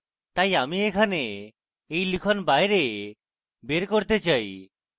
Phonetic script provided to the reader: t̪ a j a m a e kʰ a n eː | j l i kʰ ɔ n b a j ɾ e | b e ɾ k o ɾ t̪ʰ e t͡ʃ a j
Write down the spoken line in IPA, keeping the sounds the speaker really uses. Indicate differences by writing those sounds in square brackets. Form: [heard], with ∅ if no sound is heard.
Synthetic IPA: t̪ a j a m [i] e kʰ a n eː | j l i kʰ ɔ n b a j ɾ e | b e ɾ k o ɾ [t̪] e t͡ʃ a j

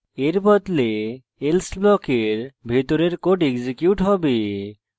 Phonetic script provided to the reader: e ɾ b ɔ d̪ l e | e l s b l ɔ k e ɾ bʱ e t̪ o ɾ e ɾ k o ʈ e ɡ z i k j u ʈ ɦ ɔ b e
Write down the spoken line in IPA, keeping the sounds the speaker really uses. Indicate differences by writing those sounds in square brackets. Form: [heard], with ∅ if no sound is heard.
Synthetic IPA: e ɾ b ɔ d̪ l e | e l s b l ɔ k e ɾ bʱ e t̪ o ɾ e ɾ k o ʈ e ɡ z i k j u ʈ ɦ ɔ b e

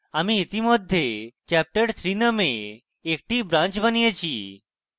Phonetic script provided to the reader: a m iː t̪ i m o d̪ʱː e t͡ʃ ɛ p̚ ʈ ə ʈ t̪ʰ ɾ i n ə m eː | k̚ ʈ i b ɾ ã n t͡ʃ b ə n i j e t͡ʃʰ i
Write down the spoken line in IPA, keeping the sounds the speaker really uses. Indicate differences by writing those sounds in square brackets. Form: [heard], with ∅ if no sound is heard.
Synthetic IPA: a m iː t̪ i m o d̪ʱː e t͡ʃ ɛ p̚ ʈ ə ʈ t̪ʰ ɾ i n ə m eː | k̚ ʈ i b ɾ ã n t͡ʃ b ə n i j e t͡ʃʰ i

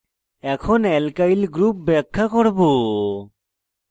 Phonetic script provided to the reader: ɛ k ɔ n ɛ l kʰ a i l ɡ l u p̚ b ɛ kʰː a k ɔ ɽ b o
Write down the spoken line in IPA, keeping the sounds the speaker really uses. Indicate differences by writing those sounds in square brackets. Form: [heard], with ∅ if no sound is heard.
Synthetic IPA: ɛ [kʰ] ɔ n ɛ l [k] a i l ɡ [ɾ] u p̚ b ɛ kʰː a k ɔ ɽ b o

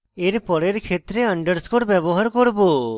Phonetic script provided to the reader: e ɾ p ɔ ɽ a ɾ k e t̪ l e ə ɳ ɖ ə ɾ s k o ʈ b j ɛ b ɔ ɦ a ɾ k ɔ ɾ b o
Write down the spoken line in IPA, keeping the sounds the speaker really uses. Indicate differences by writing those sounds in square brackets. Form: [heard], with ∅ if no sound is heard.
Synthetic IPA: e ɾ p ɔ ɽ [e] ɾ [kʰ] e t̪ [ɾ] e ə ɳ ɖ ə ɾ s k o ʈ b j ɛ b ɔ ɦ a ɾ k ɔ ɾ b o

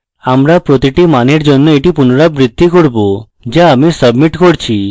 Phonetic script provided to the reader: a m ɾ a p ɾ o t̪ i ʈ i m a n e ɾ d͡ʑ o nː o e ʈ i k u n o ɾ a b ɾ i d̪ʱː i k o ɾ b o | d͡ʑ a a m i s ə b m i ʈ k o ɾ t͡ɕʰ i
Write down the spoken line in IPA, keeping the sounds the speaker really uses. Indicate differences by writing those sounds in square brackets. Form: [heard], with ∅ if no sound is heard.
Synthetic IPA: a m ɾ a p ɾ o t̪ i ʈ i m a n e ɾ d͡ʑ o nː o e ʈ i [p] u n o ɾ a b ɾ i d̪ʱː i k o ɾ b o | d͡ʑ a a m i s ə b m i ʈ k o ɾ t͡ɕʰ i

